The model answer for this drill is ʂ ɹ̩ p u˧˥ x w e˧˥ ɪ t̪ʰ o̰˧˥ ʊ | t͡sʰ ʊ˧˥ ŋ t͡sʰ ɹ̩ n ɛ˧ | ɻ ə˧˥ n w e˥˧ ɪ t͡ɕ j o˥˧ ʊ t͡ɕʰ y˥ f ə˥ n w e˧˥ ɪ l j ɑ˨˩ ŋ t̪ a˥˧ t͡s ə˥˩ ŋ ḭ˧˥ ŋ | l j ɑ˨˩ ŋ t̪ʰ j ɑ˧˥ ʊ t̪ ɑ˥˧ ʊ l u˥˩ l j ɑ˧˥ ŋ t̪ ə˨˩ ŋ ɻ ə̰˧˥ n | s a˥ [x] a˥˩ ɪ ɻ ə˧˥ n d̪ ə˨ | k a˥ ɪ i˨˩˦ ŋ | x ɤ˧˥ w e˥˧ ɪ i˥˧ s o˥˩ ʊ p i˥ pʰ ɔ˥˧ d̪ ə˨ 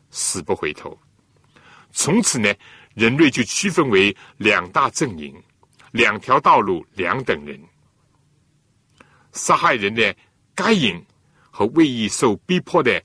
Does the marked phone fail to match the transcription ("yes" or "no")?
no